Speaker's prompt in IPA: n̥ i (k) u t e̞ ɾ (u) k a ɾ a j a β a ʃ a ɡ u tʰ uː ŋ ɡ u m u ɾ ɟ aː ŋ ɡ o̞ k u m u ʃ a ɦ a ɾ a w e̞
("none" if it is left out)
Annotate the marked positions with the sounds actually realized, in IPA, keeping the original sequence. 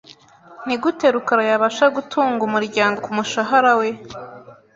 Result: ɡ, u

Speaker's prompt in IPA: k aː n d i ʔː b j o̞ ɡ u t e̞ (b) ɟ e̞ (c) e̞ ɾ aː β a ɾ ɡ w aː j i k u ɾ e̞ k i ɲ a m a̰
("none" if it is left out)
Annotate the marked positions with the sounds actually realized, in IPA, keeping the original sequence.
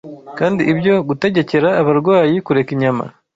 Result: none, c

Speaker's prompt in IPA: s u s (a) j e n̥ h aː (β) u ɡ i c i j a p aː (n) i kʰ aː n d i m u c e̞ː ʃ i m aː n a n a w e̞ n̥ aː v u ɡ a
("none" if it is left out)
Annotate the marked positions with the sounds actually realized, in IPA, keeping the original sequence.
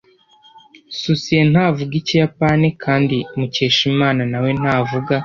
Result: i, v, n

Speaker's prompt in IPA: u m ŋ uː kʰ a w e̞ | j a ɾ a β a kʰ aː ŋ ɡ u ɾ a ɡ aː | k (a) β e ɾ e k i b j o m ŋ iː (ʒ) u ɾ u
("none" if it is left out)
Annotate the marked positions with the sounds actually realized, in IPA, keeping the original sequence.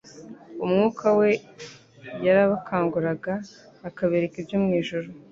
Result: a, ʒ

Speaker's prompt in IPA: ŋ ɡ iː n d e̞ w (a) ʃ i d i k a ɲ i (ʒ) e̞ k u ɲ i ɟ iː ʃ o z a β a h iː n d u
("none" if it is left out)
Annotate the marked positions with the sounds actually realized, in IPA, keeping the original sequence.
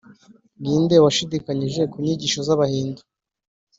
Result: a, ʒ

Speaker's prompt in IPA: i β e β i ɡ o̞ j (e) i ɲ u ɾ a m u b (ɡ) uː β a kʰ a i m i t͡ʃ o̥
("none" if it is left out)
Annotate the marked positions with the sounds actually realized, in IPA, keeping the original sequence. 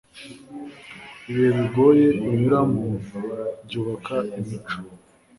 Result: e, ɟ

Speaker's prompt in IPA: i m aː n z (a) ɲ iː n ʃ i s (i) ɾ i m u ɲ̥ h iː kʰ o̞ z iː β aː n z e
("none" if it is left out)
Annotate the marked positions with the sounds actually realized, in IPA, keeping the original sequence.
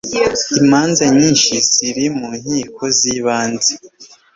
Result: a, i

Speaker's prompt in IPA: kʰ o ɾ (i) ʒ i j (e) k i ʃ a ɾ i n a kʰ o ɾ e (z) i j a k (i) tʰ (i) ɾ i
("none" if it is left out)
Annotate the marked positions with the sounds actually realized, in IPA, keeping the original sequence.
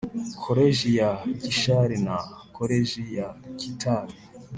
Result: e, a, ʒ, i, a

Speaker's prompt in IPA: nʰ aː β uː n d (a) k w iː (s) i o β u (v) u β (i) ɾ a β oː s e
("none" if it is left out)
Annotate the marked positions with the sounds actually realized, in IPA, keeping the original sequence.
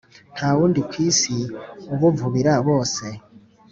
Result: i, s, v, i

